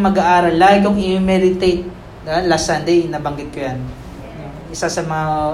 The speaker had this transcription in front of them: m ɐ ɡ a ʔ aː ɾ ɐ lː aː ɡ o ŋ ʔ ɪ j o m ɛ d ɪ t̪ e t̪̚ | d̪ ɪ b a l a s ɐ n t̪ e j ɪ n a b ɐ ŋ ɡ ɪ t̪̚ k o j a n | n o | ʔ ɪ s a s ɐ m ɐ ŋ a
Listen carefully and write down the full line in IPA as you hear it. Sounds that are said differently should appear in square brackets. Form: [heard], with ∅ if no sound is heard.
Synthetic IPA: m ɐ ɡ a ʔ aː ɾ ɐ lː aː ɡ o ŋ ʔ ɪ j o m ɛ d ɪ t̪ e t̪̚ | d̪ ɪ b a l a s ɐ n [d̪] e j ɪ n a b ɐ ŋ ɡ ɪ t̪̚ k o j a n | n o | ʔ ɪ s a s ɐ m ɐ ŋ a